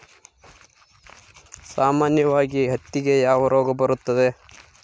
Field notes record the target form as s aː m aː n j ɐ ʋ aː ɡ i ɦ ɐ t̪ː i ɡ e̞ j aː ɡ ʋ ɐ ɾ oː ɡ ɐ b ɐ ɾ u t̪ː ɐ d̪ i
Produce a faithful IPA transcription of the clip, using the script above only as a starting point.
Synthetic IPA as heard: s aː m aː n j ɐ ʋ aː ɡ i ɦ ɐ t̪ː i ɡ e̞ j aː ʋ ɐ ɾ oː ɡ ɐ b ɐ ɾ u t̪ː ɐ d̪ e